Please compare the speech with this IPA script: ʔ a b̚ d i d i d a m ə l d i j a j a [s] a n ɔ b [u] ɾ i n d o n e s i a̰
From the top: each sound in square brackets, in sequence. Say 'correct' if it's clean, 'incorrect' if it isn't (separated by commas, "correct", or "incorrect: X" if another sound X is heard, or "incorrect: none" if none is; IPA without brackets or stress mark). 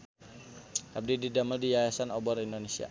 correct, incorrect: ɔ